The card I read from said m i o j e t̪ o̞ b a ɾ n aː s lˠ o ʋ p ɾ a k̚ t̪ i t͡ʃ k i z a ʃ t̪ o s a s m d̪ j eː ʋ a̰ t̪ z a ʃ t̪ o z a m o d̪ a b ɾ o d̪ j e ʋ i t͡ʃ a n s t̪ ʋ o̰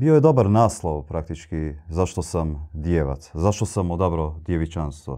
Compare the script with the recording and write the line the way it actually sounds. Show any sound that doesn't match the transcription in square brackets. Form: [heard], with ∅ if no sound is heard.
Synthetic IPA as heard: [b] i o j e [d̪] o̞ b a ɾ n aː s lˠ o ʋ p ɾ a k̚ t̪ i t͡ʃ k i z a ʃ t̪ o s a [∅] m d̪ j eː ʋ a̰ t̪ z a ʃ t̪ o [s] a m o d̪ a b ɾ o d̪ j e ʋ i t͡ʃ a n s t̪ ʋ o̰